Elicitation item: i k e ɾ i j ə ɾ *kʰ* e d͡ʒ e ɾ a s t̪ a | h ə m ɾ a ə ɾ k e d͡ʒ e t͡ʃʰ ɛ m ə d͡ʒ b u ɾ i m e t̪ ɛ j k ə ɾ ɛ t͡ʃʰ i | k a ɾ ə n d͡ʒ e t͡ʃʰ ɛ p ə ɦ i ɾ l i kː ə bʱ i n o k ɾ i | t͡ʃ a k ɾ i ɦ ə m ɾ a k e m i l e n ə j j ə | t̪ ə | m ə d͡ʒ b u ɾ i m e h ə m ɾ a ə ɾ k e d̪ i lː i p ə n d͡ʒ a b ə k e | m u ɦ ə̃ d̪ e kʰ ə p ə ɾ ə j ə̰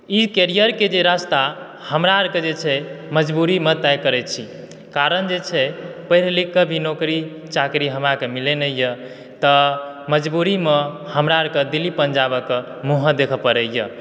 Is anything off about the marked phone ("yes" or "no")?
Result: yes